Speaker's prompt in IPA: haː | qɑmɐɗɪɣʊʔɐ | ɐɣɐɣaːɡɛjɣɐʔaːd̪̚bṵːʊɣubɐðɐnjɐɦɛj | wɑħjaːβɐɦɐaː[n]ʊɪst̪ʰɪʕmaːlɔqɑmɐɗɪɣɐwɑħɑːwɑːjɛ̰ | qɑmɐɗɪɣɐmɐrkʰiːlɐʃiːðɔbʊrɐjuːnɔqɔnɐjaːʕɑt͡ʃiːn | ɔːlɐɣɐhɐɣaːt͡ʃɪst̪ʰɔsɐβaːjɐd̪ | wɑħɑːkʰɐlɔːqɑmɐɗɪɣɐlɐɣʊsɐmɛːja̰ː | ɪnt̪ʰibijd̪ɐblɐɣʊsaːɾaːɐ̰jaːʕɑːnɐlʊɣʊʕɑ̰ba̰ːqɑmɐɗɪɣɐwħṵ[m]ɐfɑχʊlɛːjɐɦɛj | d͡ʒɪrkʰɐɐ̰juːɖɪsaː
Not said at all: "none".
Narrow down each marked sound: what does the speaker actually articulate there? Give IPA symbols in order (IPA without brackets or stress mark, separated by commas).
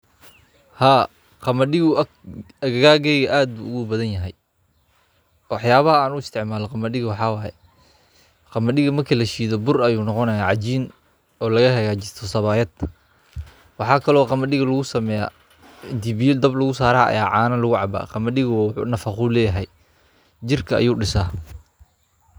n, n